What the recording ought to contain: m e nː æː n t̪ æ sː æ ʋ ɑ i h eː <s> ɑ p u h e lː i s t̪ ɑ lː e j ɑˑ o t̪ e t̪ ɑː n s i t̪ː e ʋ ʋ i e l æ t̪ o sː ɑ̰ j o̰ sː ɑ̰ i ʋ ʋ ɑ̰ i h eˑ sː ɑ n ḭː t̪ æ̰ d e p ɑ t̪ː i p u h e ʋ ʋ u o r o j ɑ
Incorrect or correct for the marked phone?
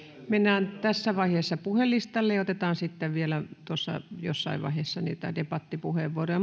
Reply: incorrect: sː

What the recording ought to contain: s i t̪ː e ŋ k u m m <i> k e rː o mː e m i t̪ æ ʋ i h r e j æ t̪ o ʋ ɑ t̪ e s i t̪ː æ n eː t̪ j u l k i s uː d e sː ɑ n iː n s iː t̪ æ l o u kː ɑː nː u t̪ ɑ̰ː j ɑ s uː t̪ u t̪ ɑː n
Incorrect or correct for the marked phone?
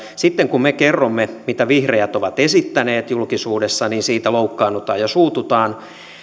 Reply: incorrect: e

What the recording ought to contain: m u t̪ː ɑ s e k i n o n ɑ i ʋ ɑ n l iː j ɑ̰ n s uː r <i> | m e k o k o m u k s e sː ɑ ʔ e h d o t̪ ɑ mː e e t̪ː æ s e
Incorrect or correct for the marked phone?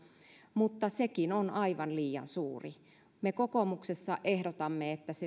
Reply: correct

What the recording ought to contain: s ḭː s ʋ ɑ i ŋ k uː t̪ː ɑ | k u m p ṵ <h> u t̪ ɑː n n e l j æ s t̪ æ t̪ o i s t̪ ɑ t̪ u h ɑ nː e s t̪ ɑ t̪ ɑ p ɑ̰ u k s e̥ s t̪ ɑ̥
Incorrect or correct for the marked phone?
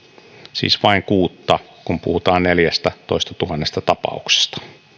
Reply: correct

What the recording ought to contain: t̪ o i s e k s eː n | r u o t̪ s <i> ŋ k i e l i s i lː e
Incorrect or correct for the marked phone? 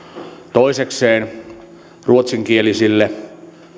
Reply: correct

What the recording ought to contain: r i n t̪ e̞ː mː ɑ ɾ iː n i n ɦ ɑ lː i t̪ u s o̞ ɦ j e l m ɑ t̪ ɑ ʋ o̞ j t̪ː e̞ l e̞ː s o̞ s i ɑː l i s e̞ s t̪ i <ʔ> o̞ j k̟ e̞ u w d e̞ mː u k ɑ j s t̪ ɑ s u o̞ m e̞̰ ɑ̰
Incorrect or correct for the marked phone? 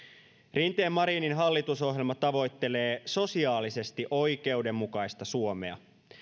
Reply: correct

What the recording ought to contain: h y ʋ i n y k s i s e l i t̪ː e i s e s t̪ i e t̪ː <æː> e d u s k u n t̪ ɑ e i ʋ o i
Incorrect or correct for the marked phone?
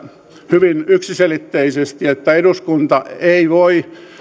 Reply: incorrect: æ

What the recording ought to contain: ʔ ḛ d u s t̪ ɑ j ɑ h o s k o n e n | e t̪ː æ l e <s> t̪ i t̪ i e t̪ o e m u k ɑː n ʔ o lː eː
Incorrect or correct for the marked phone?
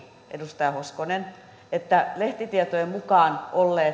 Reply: incorrect: h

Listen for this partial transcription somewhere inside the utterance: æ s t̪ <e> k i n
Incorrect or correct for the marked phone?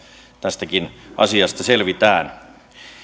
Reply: incorrect: æ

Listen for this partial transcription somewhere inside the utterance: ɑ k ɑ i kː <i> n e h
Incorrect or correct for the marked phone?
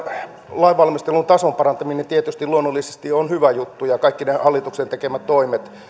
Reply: correct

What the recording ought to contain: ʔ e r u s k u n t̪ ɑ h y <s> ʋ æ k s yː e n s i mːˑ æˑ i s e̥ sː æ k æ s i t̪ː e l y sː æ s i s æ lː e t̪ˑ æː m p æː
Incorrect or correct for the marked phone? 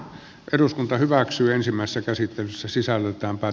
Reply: incorrect: none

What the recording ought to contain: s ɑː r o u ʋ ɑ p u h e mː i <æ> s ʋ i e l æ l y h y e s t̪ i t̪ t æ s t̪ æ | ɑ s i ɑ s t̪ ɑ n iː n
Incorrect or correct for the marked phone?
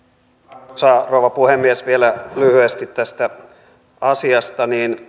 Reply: incorrect: e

